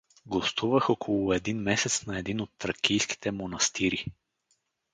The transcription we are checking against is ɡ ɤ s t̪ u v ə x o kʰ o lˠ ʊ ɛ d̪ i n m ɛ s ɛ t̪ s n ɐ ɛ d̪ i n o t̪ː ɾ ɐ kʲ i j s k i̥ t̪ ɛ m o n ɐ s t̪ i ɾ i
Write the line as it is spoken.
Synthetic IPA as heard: ɡ o s t̪ u v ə x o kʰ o lˠ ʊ ɛ d̪ i n m ɛ s ɛ t̪ s n ɐ ɛ d̪ i n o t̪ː ɾ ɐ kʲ i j s k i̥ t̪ ɛ m o n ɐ s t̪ i ɾ i